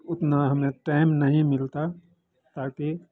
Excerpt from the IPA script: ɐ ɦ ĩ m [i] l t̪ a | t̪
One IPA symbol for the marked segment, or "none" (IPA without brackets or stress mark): ɪ